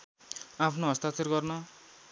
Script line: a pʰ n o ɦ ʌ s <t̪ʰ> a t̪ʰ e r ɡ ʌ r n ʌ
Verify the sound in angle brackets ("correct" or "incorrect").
incorrect